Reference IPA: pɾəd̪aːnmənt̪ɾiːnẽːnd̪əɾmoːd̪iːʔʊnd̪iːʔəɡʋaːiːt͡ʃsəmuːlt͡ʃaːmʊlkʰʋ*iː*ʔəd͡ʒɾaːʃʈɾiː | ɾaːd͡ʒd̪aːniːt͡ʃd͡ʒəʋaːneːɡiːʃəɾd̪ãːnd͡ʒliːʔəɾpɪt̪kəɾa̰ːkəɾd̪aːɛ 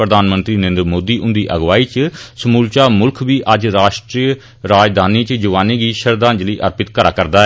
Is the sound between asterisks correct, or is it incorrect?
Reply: correct